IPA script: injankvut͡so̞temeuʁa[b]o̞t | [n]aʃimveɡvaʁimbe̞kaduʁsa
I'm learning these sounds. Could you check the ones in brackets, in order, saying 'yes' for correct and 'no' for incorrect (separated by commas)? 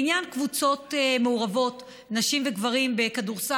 no, yes